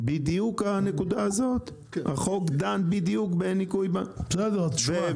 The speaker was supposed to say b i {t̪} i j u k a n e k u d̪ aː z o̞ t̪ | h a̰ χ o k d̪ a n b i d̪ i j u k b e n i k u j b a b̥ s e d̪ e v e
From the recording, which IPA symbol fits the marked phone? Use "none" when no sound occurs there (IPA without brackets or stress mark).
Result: d̪